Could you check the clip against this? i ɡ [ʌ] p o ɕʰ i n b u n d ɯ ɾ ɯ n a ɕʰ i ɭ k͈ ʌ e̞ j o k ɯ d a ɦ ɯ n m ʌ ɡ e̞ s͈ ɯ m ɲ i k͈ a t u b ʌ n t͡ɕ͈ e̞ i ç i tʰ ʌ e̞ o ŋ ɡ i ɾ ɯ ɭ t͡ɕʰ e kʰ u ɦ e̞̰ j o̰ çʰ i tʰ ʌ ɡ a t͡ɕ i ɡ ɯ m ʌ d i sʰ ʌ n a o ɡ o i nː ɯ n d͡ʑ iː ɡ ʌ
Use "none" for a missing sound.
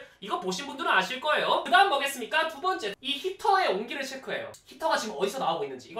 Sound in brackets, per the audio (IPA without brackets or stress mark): ʌ